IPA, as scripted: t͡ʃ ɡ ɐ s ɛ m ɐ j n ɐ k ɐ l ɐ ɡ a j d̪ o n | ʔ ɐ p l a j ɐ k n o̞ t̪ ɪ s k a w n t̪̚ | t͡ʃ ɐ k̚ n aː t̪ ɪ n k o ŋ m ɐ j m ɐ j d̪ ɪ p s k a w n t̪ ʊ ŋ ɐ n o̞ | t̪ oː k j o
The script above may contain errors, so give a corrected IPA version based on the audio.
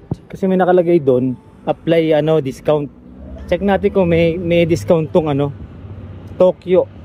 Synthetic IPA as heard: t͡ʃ k ɐ s ɛ m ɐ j n ɐ k ɐ l ɐ ɡ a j d̪ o n | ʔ ɐ p l a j ɐ n o̞ d̪ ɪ s k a w n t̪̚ | t͡ʃ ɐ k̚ n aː t̪ ɪ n k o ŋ m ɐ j m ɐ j d̪ ɪ s k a w n t̪ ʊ ŋ ɐ n o̞ | t̪ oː k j o

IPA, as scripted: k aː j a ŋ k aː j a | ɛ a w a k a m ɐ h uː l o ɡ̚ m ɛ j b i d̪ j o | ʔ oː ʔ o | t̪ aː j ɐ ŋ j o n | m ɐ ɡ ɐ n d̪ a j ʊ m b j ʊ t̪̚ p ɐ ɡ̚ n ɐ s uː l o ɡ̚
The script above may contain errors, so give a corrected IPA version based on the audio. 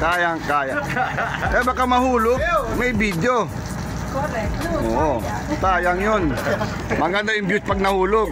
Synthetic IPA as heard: k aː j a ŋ k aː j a | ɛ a b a k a m ɐ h uː l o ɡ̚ m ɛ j b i d̪ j o | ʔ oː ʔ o | t̪ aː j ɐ ŋ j o n | m ɐ ɡ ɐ n d̪ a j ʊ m b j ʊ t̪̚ p ɐ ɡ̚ n ɐ h uː l o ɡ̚

